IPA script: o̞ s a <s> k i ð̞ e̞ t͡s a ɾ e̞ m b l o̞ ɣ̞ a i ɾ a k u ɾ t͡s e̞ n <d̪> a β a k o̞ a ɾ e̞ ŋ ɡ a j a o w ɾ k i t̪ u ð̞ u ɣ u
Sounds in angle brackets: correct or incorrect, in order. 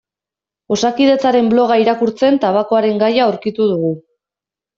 incorrect, incorrect

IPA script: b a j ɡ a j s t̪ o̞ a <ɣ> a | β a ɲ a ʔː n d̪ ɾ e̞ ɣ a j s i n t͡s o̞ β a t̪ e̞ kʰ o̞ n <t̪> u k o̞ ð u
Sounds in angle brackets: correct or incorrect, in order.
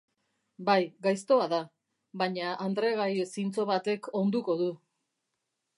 incorrect, incorrect

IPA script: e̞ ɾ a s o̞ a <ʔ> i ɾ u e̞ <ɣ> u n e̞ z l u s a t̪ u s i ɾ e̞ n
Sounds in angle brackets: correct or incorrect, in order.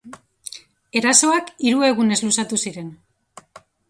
incorrect, correct

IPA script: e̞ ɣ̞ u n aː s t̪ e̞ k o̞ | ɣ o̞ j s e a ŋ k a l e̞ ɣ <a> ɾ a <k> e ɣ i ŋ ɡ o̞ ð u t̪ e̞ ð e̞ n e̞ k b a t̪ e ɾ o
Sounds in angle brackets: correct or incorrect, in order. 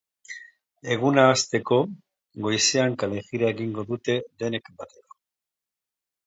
incorrect, incorrect

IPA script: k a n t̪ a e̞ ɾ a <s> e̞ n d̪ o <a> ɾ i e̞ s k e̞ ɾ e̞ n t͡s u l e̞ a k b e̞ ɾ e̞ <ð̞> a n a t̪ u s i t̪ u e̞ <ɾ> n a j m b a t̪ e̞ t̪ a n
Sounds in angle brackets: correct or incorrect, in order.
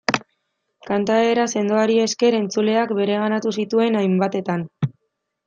correct, correct, incorrect, incorrect

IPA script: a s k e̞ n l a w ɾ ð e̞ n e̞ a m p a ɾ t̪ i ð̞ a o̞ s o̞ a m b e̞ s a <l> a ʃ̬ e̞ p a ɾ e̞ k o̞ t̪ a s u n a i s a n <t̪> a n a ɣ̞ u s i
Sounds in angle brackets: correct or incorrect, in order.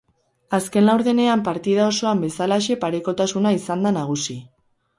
correct, incorrect

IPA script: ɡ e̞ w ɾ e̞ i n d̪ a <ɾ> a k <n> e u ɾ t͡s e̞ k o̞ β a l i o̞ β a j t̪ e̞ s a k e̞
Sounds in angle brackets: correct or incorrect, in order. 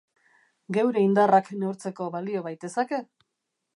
incorrect, correct

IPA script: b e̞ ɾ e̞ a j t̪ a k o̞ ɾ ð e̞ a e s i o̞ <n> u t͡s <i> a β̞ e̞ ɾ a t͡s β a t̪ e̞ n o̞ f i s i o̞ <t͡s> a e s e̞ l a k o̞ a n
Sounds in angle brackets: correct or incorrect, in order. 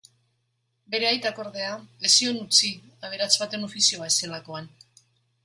correct, correct, incorrect

